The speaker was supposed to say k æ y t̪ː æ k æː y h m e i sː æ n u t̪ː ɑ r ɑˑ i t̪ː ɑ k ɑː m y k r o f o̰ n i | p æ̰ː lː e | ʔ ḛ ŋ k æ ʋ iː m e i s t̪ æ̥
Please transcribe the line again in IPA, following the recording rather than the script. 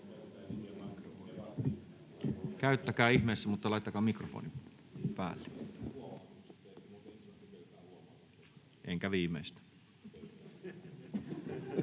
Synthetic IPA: k æ y t̪ː æ k æː i h m e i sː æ m u t̪ː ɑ l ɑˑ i t̪ː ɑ k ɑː m i k r o f o̰ n i | p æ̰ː lː e | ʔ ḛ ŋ k æ ʋ iː m e i s t̪ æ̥